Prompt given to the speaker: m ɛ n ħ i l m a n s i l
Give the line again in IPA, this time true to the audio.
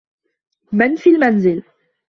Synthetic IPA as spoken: m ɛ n f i l m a n z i l